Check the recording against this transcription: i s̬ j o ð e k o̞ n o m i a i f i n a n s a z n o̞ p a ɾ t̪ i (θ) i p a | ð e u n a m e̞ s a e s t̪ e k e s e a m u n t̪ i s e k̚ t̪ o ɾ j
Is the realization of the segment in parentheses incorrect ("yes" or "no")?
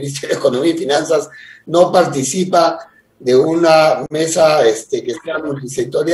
yes